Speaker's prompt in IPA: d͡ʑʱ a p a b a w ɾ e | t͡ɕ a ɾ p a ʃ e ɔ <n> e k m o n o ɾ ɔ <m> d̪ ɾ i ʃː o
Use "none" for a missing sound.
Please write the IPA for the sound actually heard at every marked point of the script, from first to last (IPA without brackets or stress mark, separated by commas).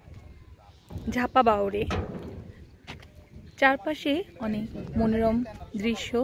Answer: n, m